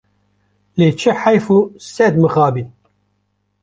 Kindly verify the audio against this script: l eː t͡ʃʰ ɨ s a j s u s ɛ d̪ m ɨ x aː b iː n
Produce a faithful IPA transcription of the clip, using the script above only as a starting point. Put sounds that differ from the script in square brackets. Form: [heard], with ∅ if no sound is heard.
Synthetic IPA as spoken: l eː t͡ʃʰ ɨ [ħ] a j [f] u s ɛ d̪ m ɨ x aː b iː n